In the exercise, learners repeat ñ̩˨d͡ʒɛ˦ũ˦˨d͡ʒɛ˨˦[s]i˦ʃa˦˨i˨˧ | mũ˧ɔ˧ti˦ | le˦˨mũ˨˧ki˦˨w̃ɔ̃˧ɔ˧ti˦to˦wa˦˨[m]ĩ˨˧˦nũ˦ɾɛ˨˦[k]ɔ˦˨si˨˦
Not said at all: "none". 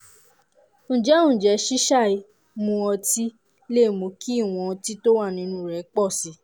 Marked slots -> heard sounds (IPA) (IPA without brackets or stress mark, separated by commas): ʃ, n, k͡p